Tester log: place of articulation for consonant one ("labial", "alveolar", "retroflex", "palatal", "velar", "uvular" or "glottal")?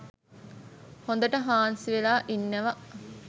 glottal